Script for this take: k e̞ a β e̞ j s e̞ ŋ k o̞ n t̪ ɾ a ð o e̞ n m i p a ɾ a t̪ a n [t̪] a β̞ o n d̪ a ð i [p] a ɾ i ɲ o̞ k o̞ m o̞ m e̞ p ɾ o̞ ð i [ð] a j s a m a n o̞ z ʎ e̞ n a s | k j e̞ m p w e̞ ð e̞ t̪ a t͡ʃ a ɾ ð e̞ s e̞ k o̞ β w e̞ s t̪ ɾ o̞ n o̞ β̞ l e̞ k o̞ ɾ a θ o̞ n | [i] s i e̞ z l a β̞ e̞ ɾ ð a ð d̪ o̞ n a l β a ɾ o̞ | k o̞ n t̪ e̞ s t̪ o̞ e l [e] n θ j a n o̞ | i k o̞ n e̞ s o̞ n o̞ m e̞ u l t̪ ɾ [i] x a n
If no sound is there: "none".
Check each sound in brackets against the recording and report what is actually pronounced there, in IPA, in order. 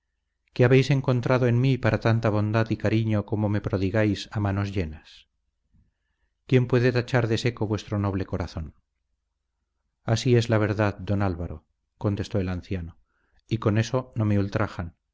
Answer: t̪, k, ɣ, a, a, a

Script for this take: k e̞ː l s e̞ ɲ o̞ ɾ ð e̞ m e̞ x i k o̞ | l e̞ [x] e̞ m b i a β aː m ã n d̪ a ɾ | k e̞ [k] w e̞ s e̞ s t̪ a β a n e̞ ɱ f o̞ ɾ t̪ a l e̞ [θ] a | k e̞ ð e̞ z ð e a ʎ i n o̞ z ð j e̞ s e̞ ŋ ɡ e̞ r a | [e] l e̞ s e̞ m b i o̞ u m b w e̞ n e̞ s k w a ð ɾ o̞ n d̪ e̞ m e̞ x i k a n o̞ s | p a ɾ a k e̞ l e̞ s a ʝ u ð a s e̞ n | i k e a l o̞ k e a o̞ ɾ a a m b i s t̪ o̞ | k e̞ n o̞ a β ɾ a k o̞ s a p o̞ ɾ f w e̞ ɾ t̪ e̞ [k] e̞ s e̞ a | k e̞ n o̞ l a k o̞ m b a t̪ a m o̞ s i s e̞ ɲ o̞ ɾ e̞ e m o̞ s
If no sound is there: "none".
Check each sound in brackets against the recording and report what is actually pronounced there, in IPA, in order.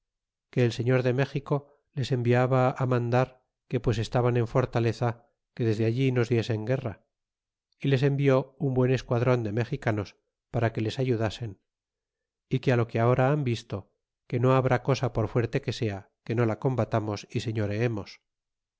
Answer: s, p, θ, i, k

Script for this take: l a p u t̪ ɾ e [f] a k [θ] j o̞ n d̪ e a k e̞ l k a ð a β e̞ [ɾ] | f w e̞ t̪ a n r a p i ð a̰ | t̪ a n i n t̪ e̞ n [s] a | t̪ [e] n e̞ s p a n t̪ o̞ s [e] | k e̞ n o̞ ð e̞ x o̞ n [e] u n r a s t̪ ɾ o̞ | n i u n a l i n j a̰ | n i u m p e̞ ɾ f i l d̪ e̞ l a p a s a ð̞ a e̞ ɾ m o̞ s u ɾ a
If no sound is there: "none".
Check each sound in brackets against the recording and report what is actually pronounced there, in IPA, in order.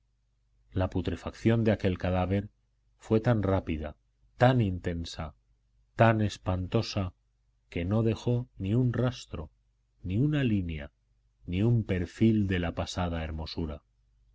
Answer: f, θ, ɾ, s, a, a, i

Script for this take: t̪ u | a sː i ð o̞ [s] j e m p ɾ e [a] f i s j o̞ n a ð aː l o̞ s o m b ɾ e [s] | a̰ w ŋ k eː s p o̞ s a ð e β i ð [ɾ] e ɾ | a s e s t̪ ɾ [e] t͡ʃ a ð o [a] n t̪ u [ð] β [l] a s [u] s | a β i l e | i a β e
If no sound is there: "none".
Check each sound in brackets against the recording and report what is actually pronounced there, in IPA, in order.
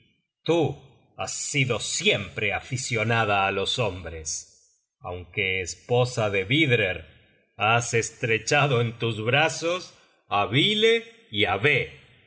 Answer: s, a, s, ɾ, e, e, z, ɾ, o

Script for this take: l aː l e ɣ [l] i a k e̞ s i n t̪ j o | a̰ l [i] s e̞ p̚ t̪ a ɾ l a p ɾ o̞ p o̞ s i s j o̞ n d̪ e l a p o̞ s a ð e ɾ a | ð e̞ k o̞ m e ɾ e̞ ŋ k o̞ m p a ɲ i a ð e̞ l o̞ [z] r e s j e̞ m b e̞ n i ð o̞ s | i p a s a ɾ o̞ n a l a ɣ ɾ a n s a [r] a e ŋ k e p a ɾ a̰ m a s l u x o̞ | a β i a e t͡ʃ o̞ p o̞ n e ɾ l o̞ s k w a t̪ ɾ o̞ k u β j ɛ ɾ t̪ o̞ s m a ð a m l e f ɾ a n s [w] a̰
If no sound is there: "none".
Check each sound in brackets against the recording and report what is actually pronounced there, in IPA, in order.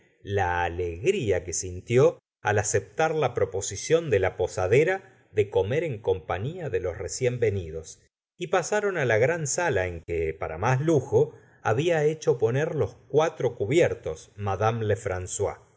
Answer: ɾ, a, s, l, w

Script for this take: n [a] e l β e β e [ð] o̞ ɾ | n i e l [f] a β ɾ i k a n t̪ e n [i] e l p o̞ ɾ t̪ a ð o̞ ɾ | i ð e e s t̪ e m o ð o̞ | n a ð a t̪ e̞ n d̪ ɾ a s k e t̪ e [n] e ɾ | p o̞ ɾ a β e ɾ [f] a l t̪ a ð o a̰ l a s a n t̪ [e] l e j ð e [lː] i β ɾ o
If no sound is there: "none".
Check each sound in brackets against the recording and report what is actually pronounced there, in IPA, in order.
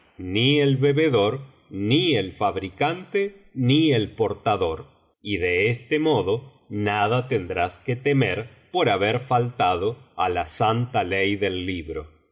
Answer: i, ð, f, i, m, f, a, lː

